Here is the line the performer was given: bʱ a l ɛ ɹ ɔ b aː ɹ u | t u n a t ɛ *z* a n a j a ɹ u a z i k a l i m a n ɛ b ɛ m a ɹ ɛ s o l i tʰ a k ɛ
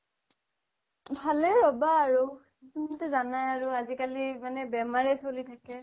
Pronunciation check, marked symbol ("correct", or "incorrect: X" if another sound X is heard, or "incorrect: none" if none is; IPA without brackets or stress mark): correct